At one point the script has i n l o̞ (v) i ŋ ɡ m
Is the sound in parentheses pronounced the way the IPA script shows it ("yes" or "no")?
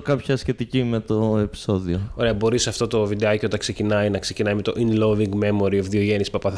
yes